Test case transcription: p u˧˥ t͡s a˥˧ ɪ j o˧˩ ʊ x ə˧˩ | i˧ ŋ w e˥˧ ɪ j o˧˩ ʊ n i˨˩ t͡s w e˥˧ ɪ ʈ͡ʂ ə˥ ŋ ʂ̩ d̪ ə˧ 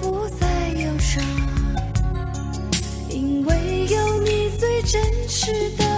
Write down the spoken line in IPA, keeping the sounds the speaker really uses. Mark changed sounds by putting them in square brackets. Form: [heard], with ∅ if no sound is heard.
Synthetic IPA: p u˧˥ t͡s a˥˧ ɪ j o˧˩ ʊ [ʂ] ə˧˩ | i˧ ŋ w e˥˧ ɪ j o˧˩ ʊ n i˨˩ t͡s w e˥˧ ɪ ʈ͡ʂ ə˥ [n] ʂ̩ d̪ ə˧